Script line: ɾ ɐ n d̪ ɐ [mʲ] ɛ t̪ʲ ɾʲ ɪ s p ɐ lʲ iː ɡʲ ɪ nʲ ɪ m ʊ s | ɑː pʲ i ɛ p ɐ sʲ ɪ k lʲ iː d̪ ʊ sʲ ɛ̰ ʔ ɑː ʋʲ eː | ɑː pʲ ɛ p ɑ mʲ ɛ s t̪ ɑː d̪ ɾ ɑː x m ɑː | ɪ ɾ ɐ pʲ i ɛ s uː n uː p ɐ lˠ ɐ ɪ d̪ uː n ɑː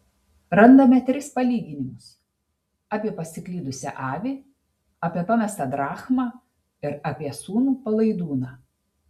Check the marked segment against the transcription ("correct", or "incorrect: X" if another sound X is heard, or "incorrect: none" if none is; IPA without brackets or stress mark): correct